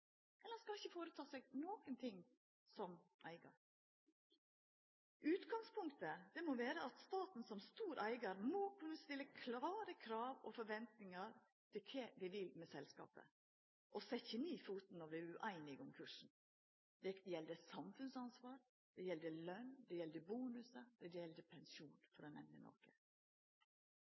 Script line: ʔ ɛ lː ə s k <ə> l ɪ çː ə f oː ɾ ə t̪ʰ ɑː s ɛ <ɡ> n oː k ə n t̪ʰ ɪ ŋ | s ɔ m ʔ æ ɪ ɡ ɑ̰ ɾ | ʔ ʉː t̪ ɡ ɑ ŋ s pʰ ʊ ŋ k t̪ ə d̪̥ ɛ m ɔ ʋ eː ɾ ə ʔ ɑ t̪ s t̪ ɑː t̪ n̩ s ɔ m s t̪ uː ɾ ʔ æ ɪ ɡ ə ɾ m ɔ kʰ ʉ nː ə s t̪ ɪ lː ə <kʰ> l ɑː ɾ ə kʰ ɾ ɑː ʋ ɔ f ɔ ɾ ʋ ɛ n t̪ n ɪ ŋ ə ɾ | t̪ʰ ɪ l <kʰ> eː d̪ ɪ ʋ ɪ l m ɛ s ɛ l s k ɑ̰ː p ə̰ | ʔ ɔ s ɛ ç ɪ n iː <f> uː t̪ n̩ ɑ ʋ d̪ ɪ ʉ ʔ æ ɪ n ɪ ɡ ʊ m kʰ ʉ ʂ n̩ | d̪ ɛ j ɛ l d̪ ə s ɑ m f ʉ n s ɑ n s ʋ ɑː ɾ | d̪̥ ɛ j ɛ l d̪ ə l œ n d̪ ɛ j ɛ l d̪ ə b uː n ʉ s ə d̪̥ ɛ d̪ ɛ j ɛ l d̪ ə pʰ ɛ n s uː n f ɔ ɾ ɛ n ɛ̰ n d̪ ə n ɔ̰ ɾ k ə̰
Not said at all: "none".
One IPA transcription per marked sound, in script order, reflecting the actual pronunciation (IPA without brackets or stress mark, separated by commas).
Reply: ɑ, ɡ, kʰ, kʰ, f